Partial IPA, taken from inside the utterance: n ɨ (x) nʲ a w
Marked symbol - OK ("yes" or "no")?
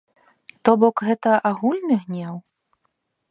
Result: no